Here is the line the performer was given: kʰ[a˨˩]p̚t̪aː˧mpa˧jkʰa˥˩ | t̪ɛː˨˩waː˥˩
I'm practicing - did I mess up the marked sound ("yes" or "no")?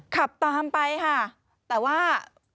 no